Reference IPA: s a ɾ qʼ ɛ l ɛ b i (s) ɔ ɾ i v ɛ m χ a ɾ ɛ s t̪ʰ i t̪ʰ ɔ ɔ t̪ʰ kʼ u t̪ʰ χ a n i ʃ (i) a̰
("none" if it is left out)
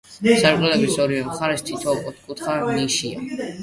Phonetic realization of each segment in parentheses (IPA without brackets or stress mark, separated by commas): s, i